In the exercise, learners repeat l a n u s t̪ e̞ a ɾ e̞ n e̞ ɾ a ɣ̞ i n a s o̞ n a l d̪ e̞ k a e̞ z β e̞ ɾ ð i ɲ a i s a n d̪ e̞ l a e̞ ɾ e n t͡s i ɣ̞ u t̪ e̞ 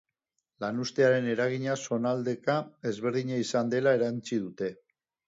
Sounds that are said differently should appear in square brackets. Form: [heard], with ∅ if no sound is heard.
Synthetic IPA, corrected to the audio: l a n u s t̪ e̞ a ɾ e̞ n e̞ ɾ a ɣ̞ i [ɲ] a s o̞ n a l d̪ e̞ k a e̞ z β e̞ ɾ ð i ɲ a i s a n d̪ e̞ l a e̞ ɾ [a] n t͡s i [ð̞] u t̪ e̞